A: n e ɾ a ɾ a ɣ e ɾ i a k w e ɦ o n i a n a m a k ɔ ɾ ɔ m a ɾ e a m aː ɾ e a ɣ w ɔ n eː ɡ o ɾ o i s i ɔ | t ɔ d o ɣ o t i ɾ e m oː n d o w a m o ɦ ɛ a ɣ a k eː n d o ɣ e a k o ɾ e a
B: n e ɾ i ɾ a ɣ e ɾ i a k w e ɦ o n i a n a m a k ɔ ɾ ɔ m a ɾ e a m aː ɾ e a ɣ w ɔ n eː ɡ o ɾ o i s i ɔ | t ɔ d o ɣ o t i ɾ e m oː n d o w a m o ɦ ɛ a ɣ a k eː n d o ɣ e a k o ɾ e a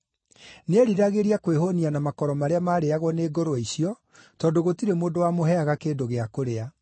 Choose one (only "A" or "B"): B